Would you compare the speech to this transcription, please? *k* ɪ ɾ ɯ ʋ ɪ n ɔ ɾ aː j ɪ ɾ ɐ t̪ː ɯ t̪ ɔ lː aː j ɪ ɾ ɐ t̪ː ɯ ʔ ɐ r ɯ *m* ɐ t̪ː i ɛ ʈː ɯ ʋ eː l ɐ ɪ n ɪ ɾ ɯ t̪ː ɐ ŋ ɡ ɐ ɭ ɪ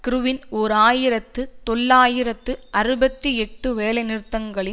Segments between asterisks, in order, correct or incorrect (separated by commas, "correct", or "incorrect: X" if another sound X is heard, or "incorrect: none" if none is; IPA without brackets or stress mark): correct, incorrect: b